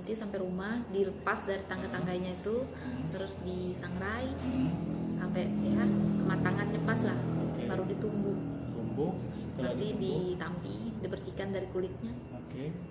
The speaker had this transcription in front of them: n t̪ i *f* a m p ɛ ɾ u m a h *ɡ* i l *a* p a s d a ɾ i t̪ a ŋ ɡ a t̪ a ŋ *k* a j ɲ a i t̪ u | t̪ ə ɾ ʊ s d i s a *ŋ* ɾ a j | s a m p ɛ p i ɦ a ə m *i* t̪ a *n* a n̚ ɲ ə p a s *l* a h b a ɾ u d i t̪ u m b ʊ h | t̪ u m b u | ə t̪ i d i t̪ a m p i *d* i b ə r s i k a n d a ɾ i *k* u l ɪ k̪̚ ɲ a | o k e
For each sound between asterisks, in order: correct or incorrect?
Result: incorrect, incorrect, incorrect, incorrect, correct, incorrect, incorrect, correct, correct, correct

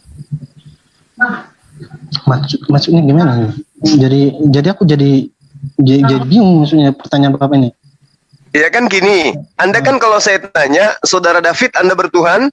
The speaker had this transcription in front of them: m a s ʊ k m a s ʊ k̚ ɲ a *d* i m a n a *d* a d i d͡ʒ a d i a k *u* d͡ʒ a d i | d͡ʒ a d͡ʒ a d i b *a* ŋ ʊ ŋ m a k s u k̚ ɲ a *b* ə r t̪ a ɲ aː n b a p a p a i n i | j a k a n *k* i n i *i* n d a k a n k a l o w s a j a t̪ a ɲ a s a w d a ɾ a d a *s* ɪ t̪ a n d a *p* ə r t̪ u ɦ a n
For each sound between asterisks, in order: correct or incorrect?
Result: incorrect, incorrect, correct, incorrect, incorrect, correct, incorrect, incorrect, incorrect

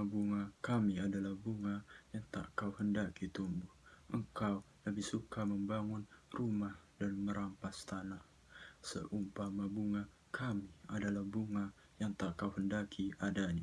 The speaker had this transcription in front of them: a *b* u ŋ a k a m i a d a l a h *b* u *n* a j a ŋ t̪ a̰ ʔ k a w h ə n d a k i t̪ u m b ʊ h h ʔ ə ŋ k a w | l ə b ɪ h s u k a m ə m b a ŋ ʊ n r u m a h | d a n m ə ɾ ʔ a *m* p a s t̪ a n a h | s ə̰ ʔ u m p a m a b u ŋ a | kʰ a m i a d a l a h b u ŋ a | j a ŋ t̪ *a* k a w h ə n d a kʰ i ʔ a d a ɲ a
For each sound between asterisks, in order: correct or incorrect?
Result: correct, correct, incorrect, correct, correct

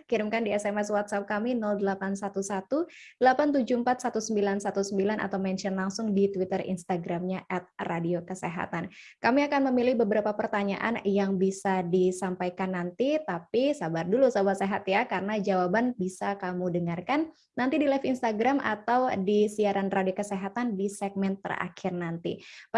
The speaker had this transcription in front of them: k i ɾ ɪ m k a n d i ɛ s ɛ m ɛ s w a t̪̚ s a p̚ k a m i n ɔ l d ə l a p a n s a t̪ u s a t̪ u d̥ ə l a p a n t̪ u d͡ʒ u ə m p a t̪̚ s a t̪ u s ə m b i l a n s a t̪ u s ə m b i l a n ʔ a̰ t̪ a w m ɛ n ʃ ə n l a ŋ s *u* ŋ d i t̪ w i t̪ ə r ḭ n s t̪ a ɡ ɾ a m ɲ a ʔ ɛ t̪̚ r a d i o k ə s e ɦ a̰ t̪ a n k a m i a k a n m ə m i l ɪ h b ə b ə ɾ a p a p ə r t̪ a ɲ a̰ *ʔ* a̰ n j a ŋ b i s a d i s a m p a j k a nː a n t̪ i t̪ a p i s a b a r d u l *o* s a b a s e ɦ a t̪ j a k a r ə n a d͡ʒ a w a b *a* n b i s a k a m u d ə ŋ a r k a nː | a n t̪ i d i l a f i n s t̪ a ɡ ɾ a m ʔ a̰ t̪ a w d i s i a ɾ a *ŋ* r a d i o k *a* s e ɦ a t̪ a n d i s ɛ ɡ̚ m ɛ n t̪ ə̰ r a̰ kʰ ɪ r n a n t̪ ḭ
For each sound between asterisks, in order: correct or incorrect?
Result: incorrect, correct, incorrect, correct, incorrect, incorrect

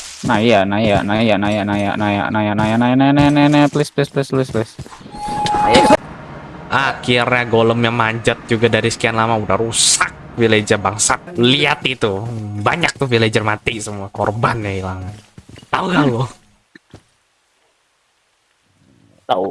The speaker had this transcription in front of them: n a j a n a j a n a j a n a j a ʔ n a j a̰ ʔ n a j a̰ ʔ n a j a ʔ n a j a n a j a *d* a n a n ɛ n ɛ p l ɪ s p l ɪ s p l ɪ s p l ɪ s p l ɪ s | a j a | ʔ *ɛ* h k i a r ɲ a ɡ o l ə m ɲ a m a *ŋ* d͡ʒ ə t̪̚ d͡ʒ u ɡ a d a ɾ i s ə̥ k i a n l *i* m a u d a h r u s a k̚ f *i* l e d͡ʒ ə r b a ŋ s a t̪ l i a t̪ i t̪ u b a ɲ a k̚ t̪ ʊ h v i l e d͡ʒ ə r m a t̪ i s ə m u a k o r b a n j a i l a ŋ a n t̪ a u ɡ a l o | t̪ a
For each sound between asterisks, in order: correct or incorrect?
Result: incorrect, incorrect, incorrect, incorrect, correct

